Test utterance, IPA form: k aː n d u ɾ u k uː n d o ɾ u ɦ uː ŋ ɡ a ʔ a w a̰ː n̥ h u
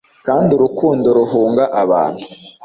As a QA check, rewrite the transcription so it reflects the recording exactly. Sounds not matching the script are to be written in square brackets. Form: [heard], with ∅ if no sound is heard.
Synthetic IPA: k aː n d u ɾ u k uː n d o ɾ u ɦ uː ŋ ɡ a ʔ a [β] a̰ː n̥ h u